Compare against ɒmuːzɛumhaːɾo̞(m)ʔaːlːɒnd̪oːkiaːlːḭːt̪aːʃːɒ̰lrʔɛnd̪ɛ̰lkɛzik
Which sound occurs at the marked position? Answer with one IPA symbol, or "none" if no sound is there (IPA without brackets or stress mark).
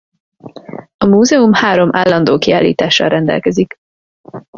m